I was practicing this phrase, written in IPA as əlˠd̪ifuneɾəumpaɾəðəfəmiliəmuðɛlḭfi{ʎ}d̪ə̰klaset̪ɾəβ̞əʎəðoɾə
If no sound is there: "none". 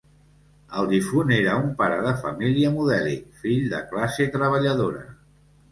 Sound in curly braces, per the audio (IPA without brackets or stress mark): ʎ